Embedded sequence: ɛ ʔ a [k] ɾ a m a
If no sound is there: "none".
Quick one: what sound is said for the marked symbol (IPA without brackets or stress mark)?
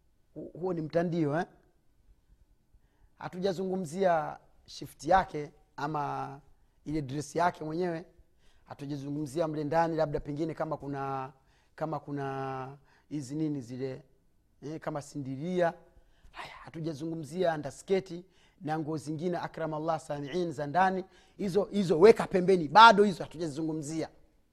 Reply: k